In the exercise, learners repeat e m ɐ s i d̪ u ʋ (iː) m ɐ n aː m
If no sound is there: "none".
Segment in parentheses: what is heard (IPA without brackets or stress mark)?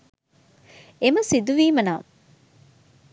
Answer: iː